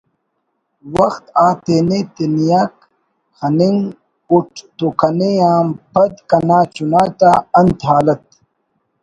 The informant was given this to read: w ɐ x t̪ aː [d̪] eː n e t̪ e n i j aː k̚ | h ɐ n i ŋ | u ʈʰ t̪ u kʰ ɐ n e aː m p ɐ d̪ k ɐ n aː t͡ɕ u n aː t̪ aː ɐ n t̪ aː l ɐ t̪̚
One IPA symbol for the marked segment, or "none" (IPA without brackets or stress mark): t̪